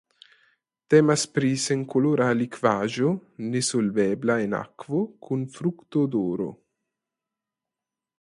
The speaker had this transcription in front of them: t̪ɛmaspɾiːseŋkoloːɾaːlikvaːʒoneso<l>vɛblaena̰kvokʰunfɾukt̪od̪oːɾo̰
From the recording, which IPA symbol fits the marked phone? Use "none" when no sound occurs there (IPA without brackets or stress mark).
l